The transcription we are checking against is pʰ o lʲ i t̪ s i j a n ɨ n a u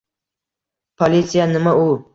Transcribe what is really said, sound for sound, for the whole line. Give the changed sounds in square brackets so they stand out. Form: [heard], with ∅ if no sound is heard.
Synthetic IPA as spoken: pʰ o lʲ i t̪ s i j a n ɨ [m] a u